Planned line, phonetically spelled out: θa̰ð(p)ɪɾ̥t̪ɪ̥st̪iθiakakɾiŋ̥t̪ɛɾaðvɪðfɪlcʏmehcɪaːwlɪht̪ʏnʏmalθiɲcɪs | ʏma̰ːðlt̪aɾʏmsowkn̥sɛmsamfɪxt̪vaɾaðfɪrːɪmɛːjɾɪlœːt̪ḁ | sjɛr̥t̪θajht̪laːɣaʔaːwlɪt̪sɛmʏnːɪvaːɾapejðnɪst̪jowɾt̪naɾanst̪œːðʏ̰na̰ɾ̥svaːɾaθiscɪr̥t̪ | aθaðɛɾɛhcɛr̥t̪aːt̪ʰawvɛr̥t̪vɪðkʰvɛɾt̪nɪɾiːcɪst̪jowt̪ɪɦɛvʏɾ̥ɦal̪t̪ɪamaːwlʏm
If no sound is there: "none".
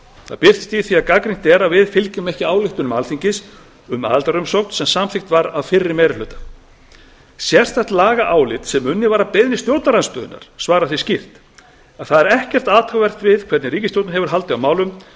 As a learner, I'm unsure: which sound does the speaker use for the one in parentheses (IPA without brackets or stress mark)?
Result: p